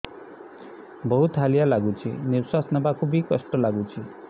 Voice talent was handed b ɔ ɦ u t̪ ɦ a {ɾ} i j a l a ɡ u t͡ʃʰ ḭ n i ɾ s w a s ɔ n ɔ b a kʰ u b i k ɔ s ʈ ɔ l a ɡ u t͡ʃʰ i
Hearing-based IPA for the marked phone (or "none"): l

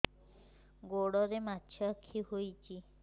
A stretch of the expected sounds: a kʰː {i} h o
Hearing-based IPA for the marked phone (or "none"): i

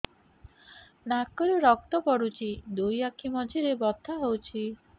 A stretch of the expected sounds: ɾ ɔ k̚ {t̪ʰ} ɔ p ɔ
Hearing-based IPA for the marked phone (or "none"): t̪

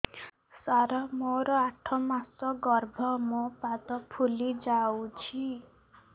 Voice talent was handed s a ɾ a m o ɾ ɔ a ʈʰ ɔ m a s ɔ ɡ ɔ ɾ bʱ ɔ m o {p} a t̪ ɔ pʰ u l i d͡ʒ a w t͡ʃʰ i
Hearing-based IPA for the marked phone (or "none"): p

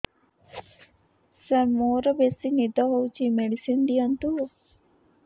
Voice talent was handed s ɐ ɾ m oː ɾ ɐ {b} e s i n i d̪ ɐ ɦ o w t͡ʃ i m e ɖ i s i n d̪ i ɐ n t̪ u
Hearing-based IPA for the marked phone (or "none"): b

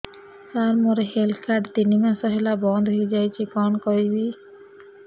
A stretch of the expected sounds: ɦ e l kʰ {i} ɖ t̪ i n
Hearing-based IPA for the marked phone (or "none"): a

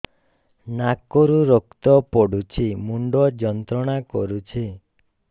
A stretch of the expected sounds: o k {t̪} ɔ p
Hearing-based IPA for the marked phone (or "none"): t̪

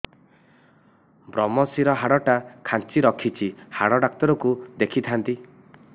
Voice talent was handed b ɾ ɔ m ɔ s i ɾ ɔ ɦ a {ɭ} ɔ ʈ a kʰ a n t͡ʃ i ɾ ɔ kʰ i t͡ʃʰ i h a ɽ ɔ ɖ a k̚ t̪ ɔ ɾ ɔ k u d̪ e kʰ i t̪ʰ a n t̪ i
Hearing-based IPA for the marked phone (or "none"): ɽ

